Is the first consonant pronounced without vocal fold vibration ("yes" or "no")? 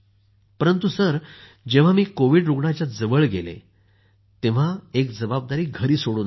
yes